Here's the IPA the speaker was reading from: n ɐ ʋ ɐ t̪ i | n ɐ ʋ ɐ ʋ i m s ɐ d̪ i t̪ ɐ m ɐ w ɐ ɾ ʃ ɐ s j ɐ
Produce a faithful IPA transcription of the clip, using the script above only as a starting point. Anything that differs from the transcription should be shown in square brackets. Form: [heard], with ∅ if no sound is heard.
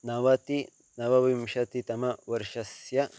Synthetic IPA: n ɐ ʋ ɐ t̪ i | n ɐ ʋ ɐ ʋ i m [ʃ] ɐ [t̪] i t̪ ɐ m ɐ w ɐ ɾ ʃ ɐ s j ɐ